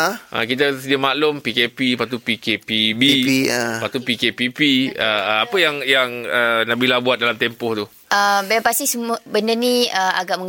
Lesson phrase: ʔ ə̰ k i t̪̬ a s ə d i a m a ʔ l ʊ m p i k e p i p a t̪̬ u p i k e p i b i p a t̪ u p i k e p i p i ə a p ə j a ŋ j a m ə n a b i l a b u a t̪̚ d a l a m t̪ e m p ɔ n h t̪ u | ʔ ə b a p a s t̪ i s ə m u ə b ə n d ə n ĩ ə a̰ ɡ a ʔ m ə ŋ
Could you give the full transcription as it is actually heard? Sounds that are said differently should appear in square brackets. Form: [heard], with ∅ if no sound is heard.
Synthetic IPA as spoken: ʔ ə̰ k i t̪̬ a s ə d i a m a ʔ l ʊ m p i k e p i p a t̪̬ u p i k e p i b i p a t̪ u p i k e p i p i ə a p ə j a ŋ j a [ŋ] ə n a b i l a b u a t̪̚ d a l a m t̪ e m p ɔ [∅] h t̪ u | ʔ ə b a p a s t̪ i s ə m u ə b ə n d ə n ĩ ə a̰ ɡ a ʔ m ə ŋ